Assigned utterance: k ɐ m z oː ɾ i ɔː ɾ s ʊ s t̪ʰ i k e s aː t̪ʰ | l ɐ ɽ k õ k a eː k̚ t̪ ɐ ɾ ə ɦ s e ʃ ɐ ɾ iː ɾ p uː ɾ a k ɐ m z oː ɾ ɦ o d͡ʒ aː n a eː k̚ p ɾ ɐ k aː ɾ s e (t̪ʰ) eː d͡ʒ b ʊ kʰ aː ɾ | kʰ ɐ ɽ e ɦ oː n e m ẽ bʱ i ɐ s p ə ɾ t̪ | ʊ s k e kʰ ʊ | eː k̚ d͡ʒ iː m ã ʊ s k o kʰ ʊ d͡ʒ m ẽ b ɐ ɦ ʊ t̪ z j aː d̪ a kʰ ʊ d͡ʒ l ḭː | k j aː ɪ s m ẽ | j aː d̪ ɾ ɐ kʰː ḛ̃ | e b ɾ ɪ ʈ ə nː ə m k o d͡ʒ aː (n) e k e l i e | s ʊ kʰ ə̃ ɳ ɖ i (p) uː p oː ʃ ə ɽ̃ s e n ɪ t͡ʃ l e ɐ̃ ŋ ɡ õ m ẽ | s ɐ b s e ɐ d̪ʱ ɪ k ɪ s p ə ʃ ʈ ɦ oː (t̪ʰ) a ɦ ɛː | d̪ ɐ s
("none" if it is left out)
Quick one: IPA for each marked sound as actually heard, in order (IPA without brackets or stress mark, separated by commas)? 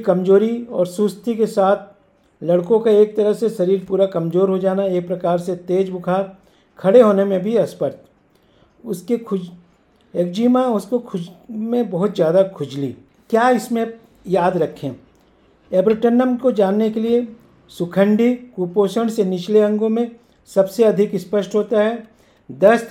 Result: t̪, nː, k, t̪